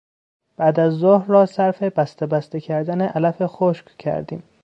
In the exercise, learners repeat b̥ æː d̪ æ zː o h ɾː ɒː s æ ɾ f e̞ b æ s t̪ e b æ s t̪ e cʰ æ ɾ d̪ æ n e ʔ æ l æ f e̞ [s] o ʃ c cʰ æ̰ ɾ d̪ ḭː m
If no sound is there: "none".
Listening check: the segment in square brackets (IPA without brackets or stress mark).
x